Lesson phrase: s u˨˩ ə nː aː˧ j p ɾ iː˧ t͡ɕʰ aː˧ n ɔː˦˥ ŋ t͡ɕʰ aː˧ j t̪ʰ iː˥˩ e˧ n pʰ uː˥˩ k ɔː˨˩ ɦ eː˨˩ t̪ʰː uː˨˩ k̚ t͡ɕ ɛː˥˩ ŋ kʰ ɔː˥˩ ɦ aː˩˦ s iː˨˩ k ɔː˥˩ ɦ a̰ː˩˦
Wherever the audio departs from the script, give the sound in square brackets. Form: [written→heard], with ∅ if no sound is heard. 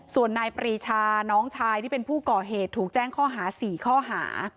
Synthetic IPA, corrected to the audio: s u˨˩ ə nː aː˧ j p ɾ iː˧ t͡ɕʰ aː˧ n ɔː˦˥ ŋ t͡ɕʰ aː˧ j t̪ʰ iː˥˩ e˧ n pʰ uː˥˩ k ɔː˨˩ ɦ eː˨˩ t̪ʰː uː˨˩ k̚ t͡ɕ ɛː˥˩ ŋ kʰ ɔː˥˩ ɦ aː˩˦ s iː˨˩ [k→kʰ] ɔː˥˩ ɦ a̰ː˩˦